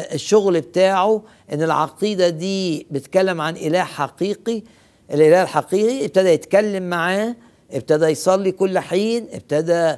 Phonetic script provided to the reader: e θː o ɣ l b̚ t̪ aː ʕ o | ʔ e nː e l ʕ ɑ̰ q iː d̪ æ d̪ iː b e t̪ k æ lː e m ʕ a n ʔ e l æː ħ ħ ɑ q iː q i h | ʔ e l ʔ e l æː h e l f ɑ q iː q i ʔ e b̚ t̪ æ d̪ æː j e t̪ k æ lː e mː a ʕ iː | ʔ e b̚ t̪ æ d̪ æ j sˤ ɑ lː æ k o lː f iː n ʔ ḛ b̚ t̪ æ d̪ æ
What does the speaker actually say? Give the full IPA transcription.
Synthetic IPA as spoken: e ʃː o ɣ l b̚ t̪ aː ʕ o | ʔ e nː e l ʕ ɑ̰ q iː d̪ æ d̪ iː b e t̪ k æ lː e m ʕ a n ʔ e l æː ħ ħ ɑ q iː q i | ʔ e l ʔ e l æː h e l ħ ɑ q iː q i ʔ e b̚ t̪ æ d̪ æ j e t̪ k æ lː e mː a ʕ aː | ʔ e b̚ t̪ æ d̪ æ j sˤ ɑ lː i k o lː ħ iː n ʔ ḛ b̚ t̪ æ d̪ æ